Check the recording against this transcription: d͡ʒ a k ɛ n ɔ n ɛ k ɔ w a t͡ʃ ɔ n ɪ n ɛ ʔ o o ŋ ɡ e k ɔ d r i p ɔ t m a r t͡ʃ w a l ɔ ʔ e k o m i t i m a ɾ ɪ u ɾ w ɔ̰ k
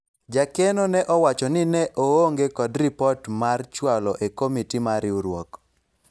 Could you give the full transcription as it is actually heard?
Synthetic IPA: d͡ʒ a k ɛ n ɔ n ɛ ʔ ɔ w a t͡ʃ ɔ n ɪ n ɛ ʔ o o ŋ ɡ e k ɔ d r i p ɔ t m a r t͡ʃ w a l ɔ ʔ e k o m i t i m a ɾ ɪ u ɾ w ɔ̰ k